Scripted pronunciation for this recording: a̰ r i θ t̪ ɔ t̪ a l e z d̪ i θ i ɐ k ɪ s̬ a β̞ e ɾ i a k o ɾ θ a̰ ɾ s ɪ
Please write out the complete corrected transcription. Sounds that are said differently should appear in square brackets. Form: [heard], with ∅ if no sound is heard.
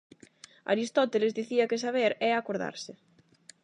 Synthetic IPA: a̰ [ɾ] i [s] t̪ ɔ t̪ [e] l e z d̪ i θ i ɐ k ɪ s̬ a β̞ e ɾ [ɛ] a k o ɾ [ð] a̰ ɾ s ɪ